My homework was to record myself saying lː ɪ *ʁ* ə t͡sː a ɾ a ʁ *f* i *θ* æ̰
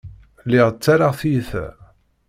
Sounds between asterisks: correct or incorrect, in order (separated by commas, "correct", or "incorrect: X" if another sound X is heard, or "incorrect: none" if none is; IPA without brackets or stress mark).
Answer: correct, incorrect: θ, correct